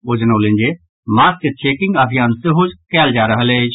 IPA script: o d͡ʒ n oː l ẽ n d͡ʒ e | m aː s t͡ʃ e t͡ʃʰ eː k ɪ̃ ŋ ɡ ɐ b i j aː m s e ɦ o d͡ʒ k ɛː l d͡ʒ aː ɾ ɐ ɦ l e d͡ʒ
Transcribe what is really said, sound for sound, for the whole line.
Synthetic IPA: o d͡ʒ n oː l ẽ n d͡ʒ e | m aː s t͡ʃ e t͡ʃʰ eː k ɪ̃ ŋ ɡ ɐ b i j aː n s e ɦ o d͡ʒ k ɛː l d͡ʒ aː ɾ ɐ ɦ l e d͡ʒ